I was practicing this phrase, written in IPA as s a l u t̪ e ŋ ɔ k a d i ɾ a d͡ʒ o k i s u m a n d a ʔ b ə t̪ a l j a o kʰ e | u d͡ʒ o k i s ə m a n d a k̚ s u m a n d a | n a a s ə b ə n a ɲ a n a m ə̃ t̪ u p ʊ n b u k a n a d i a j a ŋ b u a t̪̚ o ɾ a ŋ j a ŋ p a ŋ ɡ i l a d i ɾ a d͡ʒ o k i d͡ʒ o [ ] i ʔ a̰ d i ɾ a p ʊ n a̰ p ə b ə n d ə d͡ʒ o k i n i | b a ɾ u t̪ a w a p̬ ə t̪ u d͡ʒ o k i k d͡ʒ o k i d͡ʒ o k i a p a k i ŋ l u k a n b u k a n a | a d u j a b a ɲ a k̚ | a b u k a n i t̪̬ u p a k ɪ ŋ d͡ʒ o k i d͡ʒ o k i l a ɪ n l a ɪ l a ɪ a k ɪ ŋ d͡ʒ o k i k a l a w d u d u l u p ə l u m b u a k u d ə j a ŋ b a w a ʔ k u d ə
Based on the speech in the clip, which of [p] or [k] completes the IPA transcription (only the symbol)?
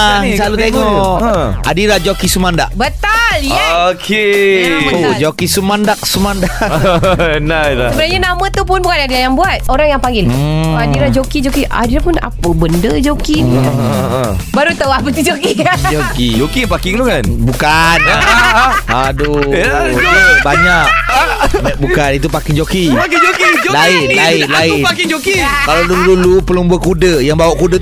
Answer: k